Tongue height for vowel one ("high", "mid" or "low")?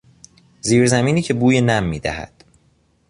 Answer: high